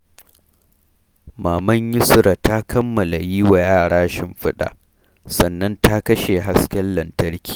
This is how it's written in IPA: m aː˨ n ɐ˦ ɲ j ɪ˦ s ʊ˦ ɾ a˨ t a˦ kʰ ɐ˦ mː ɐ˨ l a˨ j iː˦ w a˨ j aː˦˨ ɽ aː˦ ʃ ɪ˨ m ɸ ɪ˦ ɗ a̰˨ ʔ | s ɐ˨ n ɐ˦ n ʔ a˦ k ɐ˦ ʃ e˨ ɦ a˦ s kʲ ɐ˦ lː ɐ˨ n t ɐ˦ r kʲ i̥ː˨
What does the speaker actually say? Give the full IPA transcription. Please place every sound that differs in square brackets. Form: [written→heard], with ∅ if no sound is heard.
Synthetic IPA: m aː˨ [n→m] ɐ˦ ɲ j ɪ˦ s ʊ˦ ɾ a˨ t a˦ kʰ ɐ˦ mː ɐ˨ l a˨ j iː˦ w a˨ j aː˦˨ ɽ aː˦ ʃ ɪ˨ m ɸ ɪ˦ ɗ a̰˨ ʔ | s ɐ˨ [n→nː] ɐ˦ n [ʔ→t] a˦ k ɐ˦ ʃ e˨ ɦ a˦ s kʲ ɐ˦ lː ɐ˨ n t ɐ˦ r kʲ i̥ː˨